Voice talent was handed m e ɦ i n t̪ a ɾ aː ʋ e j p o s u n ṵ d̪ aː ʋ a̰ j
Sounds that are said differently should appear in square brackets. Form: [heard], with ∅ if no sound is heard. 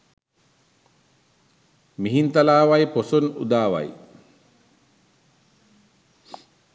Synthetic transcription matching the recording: m [i] ɦ i n t̪ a [l] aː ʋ [a] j p o s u n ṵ d̪ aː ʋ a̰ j